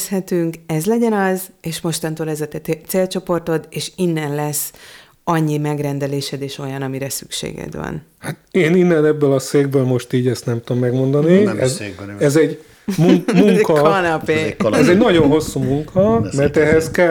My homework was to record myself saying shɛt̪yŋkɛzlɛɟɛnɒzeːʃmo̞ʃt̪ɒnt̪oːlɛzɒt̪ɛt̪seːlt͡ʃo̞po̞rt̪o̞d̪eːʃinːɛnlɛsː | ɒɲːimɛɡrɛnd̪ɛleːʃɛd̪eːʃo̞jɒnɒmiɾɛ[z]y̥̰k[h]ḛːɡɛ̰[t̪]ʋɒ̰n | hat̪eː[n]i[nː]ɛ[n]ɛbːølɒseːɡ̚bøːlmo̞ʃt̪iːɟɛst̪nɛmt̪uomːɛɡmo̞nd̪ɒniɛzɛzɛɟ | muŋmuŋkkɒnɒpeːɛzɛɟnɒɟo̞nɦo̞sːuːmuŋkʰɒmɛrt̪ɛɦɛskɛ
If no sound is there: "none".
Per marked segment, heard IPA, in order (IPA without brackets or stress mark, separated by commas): s, ʃ, d̪, n, nː, n